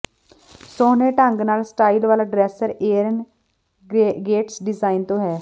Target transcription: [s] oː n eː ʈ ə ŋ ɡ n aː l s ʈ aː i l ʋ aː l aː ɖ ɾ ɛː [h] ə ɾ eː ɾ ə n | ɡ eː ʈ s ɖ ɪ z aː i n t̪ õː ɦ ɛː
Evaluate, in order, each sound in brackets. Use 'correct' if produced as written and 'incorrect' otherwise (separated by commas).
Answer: correct, incorrect